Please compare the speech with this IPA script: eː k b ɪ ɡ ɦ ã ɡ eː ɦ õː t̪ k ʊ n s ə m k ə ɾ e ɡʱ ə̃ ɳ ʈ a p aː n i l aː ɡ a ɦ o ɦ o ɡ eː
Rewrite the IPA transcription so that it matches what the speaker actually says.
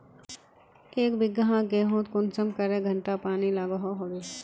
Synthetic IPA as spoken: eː k b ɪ ɡ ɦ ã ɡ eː ɦ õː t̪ k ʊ n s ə m k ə ɾ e ɡʱ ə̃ ɳ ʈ a p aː n i l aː ɡ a ɦ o ɦ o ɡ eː